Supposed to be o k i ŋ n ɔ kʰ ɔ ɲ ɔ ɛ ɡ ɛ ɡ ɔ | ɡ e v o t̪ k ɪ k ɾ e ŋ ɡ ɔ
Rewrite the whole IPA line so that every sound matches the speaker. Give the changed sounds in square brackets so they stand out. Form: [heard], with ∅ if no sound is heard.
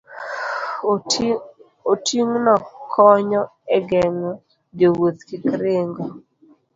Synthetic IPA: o [t] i ŋ n ɔ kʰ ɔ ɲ ɔ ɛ ɡ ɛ [ŋ] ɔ | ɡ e [w] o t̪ k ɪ k ɾ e ŋ ɡ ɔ